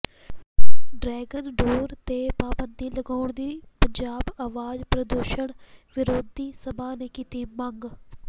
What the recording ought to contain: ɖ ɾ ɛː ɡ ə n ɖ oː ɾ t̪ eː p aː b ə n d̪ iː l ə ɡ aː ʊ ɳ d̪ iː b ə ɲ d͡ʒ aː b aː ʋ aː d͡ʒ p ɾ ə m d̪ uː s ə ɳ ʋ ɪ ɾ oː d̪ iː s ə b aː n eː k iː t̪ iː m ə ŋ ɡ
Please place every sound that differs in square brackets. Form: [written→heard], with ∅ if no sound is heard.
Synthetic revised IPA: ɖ ɾ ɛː ɡ ə n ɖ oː ɾ t̪ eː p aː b ə n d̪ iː l ə ɡ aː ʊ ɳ d̪ iː [b→p] ə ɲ d͡ʒ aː b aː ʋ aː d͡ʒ p ɾ ə [m→∅] d̪ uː [s→ʃ] ə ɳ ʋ ɪ ɾ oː d̪ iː s ə b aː n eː k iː t̪ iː m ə ŋ ɡ